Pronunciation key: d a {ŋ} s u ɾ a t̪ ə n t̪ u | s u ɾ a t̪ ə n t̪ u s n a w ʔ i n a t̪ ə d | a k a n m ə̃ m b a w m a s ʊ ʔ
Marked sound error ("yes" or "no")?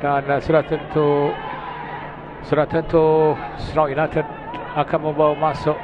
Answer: yes